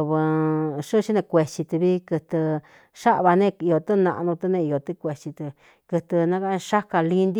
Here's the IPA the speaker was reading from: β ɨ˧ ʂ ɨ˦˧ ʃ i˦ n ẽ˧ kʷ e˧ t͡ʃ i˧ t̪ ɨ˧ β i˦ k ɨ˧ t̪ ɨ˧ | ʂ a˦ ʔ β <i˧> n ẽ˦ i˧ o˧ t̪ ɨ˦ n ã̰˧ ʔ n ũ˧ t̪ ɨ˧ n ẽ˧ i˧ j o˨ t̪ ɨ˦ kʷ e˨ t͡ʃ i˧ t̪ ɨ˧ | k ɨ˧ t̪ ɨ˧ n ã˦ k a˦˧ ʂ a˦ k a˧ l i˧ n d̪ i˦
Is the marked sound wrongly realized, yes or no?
yes